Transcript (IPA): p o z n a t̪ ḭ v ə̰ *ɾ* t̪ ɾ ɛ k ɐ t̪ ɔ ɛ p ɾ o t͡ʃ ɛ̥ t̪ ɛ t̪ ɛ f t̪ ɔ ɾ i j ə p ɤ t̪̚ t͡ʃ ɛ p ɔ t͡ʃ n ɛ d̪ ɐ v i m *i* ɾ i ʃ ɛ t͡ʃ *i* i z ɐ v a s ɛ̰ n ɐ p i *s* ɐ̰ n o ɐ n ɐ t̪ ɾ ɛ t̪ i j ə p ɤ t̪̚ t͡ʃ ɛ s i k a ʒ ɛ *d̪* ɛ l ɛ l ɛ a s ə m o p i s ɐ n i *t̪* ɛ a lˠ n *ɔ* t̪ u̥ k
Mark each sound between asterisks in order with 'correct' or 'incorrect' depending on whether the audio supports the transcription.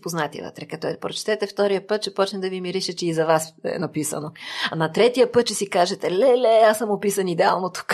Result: incorrect: none, correct, incorrect: ɛ, correct, incorrect: t̪, incorrect: d̪, incorrect: o

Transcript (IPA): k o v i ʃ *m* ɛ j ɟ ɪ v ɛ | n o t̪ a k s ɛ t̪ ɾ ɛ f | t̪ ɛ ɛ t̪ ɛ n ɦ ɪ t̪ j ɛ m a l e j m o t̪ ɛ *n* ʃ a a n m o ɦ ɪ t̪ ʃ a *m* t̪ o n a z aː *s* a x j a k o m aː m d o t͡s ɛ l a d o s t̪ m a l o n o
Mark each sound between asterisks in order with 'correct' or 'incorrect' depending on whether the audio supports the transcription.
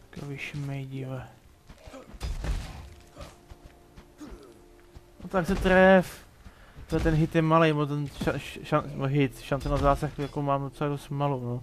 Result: correct, correct, incorrect: n, correct

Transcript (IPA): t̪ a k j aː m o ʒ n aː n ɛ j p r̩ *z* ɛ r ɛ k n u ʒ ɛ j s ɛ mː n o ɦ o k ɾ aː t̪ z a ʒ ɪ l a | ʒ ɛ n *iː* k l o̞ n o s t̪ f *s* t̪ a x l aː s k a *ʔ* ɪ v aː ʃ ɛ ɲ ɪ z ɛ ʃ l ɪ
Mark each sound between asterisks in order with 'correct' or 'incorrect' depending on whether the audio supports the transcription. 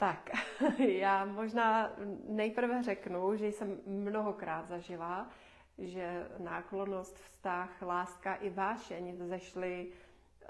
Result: incorrect: v, incorrect: aː, correct, correct

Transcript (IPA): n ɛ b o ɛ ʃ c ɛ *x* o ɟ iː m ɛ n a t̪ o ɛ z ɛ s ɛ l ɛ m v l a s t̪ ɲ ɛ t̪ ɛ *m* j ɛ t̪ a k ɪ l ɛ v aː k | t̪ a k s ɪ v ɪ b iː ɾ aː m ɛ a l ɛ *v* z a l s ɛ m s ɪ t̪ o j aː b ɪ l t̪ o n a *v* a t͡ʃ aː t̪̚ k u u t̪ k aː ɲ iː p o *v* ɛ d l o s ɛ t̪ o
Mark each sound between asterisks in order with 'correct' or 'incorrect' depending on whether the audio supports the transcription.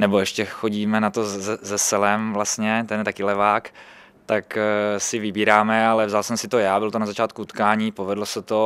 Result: correct, incorrect: n, correct, incorrect: z, correct

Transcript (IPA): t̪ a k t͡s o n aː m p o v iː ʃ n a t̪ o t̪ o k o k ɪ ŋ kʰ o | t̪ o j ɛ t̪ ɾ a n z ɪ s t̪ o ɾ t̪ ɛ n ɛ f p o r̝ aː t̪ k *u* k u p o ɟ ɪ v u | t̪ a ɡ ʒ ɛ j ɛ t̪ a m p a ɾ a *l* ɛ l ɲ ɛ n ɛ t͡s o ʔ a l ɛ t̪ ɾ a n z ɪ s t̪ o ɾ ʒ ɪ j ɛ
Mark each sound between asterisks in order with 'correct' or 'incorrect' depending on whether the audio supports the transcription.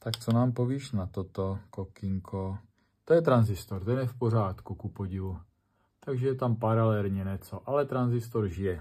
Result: correct, correct

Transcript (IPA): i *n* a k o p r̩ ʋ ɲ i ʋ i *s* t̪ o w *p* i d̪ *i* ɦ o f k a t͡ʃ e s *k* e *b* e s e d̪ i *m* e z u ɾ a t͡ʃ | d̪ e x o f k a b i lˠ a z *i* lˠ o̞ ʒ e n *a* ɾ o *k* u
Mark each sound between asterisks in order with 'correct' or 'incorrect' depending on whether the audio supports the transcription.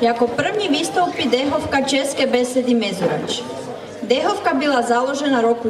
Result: incorrect: none, correct, correct, incorrect: e, correct, correct, correct, incorrect: a, correct, correct

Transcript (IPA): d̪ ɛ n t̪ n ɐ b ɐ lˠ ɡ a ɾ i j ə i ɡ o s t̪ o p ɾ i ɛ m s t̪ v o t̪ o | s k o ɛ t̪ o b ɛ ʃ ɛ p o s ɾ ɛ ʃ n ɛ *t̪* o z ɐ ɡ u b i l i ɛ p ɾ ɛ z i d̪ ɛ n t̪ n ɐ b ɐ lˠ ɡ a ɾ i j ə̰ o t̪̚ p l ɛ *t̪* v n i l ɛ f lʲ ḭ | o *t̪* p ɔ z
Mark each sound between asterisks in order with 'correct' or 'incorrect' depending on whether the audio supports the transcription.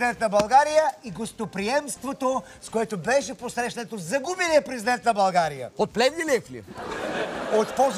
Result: correct, incorrect: none, correct

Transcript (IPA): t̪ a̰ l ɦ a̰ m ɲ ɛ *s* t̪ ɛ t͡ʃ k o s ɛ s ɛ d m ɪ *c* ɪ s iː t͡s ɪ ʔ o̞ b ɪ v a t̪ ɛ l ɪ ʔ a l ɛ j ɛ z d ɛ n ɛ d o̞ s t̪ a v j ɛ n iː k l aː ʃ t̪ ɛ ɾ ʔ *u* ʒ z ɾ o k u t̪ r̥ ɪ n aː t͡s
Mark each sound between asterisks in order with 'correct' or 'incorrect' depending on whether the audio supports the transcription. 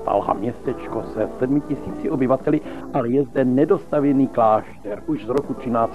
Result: correct, correct, correct

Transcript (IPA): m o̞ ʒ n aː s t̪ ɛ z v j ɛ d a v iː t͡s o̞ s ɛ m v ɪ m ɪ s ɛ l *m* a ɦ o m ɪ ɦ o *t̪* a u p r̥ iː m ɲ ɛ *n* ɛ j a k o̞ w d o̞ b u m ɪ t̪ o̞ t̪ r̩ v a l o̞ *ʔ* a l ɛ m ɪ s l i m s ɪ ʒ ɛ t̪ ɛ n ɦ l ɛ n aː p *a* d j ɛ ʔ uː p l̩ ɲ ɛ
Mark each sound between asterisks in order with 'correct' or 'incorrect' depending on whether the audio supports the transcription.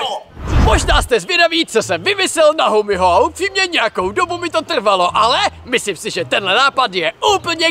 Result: incorrect: n, incorrect: none, incorrect: ɲ, correct, correct

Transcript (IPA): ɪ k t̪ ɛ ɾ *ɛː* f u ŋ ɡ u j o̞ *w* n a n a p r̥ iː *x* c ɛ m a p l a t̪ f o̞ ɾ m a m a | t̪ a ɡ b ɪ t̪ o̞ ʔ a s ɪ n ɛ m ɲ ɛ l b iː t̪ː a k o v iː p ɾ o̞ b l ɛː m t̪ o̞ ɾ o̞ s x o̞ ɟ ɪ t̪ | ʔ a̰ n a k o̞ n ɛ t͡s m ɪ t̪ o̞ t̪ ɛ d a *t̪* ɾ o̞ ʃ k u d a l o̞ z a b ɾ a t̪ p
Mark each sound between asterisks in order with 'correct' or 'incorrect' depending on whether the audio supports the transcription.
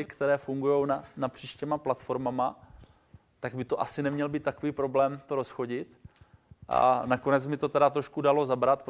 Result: correct, correct, incorrect: ʃ, correct

